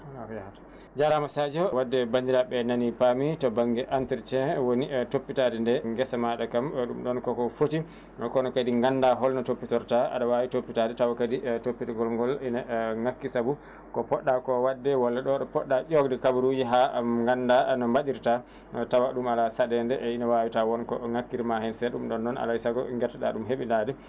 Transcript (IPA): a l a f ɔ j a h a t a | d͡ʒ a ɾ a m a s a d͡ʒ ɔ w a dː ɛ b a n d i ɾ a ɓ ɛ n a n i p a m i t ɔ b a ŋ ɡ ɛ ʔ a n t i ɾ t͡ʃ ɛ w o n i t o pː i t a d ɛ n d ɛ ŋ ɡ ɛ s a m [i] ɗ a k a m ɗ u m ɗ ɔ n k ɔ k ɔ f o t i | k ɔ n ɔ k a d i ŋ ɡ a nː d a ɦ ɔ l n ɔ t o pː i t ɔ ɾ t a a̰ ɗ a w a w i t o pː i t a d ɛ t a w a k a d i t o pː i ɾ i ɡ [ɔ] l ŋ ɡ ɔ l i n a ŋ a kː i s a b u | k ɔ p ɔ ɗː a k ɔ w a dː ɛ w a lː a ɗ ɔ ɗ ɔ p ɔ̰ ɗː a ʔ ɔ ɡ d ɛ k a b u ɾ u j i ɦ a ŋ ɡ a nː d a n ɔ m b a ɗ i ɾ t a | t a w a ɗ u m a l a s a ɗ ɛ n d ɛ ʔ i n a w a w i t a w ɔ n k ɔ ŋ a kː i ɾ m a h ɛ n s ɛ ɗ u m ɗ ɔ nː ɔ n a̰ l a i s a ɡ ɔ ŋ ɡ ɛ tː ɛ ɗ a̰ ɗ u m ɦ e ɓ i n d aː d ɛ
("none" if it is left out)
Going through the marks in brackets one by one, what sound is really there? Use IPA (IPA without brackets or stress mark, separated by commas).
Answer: a, ɔ